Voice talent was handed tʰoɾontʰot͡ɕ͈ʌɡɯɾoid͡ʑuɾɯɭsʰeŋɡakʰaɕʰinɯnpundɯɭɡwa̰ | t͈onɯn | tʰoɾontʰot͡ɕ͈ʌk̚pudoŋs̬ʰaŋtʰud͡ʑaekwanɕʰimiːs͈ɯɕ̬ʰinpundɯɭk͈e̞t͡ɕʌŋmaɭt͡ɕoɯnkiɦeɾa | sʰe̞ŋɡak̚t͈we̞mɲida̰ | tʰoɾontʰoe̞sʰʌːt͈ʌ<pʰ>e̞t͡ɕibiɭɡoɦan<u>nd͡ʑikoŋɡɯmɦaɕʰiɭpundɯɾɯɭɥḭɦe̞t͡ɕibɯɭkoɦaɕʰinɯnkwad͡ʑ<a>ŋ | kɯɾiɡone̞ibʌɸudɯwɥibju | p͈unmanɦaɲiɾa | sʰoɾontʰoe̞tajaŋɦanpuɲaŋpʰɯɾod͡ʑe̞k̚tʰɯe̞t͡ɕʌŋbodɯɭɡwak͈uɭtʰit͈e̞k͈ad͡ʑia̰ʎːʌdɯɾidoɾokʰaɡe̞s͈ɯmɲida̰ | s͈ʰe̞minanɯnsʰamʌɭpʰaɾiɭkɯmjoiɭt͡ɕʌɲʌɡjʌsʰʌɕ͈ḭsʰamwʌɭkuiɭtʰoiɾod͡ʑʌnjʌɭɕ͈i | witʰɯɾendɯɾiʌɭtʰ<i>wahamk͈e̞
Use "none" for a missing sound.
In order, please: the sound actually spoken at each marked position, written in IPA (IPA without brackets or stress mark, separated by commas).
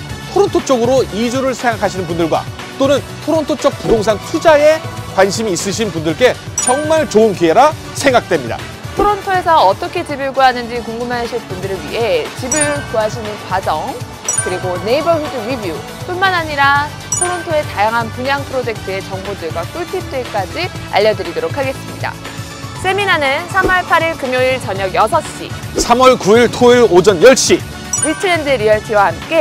kʰ, ɯ, ʌ, i